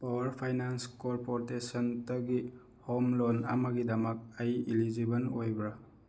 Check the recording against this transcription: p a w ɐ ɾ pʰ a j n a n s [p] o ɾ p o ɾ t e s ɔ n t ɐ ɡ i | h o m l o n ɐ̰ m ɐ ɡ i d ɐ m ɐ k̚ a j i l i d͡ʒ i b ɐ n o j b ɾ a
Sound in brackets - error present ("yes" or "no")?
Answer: yes